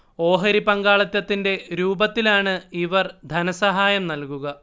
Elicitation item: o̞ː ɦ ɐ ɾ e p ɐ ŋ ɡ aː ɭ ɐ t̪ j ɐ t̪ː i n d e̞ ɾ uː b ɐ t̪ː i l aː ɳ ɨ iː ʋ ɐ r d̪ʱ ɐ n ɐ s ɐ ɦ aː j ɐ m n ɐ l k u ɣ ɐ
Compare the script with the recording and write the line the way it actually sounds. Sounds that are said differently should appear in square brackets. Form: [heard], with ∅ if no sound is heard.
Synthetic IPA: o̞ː ɦ ɐ ɾ [i] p ɐ ŋ ɡ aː ɭ ɐ t̪ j ɐ t̪ː i n d e̞ ɾ uː b ɐ t̪ː i l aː ɳ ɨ [i] ʋ ɐ r d̪ʱ ɐ n ɐ s ɐ ɦ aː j ɐ m n ɐ l k u ɣ ɐ